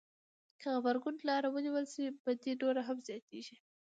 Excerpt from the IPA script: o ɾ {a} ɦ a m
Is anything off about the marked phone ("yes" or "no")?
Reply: no